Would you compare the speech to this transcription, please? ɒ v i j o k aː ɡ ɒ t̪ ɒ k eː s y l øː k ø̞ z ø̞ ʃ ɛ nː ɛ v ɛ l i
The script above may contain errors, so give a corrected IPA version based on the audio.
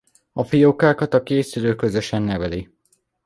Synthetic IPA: ɒ f i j o k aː k ɒ t̪ ɒ k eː s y l øː k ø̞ z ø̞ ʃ ɛ nː ɛ v ɛ l i

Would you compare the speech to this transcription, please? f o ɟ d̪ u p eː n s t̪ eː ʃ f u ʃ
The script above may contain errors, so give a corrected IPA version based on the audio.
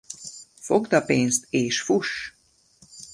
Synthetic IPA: f o ɡ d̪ ɒ p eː n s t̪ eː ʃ f u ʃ

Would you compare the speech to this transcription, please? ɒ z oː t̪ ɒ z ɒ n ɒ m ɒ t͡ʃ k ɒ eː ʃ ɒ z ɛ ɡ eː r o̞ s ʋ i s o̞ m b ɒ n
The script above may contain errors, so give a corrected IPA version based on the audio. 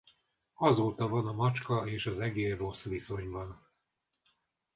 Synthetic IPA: ɒ z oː t̪ ɒ v ɒ n ɒ m ɒ t͡ʃ k ɒ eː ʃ ɒ z ɛ ɡ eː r o̞ s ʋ i s o̞ ɲ b ɒ n

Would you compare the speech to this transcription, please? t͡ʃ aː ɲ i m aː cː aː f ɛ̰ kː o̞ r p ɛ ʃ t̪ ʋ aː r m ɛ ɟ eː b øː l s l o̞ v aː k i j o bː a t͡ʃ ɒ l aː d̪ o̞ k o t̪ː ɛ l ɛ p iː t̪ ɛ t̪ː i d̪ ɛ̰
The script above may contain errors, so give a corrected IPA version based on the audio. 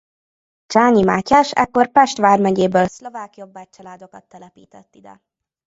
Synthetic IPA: t͡ʃ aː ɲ i m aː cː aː ʃ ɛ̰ kː o̞ r p ɛ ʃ t̪ ʋ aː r m ɛ ɟ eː b øː l s l o̞ v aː k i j o bː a t͡ʃ ɒ l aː d̪ o̞ k ɒ t̪ː ɛ l ɛ p iː t̪ ɛ t̪ː i d̪ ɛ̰

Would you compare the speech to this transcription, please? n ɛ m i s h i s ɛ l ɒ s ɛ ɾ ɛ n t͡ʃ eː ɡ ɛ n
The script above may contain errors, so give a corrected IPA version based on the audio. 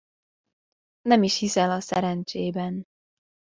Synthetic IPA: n ɛ m i ʃ h i s ɛ l ɒ s ɛ ɾ ɛ n t͡ʃ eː b ɛ n

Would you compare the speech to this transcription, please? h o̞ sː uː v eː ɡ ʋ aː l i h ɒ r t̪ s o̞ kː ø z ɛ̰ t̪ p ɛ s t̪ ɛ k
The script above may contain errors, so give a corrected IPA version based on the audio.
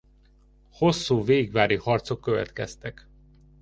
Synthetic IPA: h o̞ sː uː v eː ɡ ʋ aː ɾ i h ɒ r t̪ s o̞ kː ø v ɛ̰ t̪ k ɛ s t̪ ɛ k

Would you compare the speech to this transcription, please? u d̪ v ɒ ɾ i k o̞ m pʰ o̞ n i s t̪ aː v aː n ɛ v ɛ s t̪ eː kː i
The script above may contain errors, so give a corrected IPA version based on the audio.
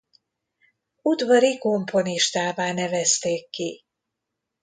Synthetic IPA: u d̪ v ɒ ɾ i k o̞ m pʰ o̞ n i ʃ t̪ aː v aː n ɛ v ɛ s t̪ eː kː i

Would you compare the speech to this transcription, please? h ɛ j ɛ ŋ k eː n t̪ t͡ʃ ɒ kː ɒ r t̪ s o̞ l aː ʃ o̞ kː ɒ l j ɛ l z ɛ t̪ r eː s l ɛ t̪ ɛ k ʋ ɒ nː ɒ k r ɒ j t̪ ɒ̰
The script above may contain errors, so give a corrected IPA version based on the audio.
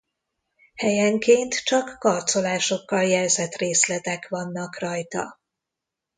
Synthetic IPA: h ɛ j ɛ ŋ k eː n t̪ t͡ʃ ɒ kː ɒ r t̪ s o̞ l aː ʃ o̞ kː ɒ l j ɛ l z ɛ t̪ r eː s l ɛ t̪ ɛ k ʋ ɒ nː ɒ k r ɒ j t̪ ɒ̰

